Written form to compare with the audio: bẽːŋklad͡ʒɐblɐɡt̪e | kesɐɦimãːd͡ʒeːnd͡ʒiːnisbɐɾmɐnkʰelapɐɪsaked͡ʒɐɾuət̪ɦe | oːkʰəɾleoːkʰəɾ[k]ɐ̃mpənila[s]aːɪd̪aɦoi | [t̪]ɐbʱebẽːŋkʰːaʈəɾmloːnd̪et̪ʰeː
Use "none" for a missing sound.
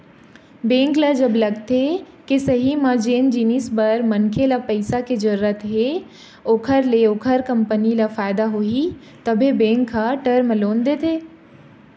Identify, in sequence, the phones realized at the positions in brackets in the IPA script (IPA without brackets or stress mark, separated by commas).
k, f, t̪